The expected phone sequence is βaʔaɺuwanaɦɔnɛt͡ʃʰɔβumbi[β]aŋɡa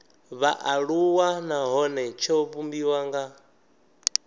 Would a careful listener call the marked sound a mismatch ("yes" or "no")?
yes